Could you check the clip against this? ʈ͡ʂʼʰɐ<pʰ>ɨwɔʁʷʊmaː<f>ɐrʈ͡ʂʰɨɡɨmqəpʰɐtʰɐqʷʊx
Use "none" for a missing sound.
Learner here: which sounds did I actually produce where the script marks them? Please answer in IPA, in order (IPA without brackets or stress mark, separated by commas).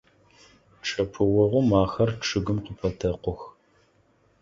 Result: pʰ, x